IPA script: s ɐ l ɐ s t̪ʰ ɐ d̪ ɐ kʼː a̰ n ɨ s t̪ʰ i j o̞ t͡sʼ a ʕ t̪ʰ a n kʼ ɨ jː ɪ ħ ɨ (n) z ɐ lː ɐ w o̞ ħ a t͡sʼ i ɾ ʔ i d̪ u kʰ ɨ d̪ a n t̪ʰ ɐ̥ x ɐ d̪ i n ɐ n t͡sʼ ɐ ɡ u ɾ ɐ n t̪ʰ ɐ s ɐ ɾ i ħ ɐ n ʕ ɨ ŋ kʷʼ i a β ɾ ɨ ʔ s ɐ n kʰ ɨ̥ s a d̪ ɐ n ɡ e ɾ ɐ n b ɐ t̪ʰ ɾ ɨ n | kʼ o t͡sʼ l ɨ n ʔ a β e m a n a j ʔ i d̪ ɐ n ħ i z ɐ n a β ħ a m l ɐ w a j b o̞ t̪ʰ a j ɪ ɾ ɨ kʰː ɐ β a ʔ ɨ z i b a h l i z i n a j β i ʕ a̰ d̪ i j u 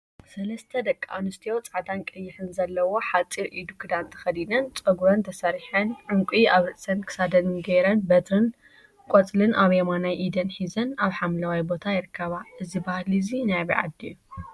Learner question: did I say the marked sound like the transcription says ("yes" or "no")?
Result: yes